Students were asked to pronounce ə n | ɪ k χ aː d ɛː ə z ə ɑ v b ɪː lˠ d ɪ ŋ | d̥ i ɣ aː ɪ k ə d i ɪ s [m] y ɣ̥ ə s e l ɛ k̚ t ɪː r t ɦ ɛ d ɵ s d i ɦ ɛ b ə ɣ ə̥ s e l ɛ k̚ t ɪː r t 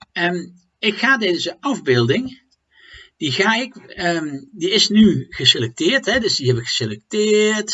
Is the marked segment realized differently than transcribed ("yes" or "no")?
yes